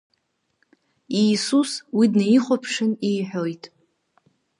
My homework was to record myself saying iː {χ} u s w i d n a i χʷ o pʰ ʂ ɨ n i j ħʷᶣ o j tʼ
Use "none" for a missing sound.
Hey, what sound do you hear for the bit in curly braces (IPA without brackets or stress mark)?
s